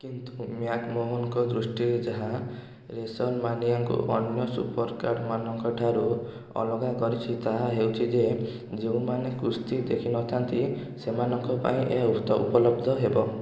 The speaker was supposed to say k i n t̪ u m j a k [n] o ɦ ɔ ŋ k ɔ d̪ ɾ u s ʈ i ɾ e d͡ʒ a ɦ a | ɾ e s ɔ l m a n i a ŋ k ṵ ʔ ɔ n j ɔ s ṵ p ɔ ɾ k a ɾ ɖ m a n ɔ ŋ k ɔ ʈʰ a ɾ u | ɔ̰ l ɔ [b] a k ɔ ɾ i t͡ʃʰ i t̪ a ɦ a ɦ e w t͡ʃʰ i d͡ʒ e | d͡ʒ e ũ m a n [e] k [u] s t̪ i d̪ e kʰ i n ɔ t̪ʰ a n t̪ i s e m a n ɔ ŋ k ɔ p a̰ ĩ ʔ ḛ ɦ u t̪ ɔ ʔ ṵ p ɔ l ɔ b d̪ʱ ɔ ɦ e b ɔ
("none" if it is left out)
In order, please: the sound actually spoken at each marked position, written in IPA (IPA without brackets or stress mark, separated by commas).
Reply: m, ɡ, e, u